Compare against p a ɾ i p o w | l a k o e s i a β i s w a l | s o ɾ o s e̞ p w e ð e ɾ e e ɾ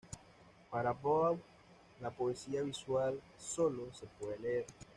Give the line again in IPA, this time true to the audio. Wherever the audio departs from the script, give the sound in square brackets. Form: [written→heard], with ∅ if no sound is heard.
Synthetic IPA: p a ɾ [i→a] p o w | l a [k→p] o e s i a β i s w a l | s o [ɾ→l] o s e̞ p w e ð e [ɾ→l] e e ɾ